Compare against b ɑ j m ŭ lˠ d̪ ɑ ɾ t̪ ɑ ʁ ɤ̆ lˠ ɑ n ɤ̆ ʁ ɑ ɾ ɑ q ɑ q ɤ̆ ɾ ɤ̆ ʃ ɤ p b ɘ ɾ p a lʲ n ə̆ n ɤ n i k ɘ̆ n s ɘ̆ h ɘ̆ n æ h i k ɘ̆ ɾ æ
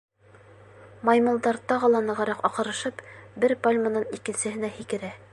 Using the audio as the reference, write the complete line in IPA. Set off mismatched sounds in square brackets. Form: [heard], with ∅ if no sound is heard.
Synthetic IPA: [m] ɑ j m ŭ lˠ d̪ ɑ ɾ t̪ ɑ ʁ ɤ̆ lˠ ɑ n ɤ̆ ʁ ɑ ɾ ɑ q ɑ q ɤ̆ ɾ ɤ̆ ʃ ɤ p b ɘ ɾ p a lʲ [m] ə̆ n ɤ n i k ɘ̆ n s ɘ̆ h ɘ̆ n æ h i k ɘ̆ ɾ æ